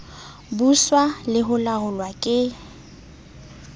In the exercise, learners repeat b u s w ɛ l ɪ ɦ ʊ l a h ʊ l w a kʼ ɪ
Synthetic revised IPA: b u s w a l ɪ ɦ ʊ l a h ʊ l w a kʼ ɪ